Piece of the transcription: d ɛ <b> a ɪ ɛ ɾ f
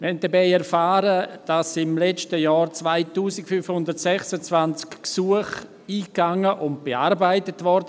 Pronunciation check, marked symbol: correct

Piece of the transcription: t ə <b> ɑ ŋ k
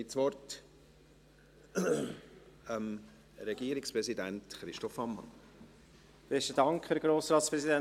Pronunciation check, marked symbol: incorrect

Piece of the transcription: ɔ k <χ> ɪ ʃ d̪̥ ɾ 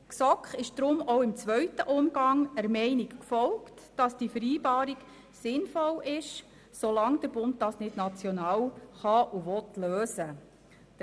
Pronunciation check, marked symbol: correct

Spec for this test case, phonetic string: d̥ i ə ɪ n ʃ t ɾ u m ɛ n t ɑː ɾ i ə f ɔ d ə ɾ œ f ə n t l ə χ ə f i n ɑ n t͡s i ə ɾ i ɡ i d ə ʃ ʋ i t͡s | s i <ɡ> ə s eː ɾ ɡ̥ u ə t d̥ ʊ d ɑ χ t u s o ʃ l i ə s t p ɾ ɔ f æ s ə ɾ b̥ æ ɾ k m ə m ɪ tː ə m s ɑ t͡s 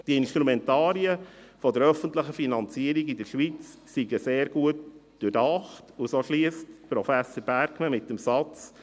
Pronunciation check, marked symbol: correct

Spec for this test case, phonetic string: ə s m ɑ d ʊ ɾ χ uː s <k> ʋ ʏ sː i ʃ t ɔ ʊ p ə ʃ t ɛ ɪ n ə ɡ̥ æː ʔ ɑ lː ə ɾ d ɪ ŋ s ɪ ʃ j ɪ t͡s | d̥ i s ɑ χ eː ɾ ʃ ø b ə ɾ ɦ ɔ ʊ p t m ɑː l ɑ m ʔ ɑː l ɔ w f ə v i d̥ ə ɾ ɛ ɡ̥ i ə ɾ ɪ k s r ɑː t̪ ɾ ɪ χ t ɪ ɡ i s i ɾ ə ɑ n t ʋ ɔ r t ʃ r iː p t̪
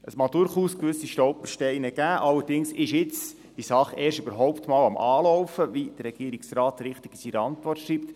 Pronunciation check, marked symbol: correct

